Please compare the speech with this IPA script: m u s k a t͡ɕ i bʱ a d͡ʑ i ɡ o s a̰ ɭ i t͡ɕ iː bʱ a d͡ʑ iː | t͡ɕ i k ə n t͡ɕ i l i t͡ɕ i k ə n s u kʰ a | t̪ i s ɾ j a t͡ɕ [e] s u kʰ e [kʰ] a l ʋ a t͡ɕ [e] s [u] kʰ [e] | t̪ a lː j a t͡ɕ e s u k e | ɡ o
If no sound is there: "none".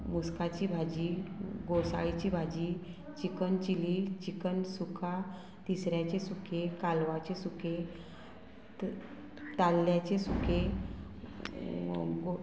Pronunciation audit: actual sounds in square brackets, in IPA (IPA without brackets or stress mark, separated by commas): e, k, e, u, e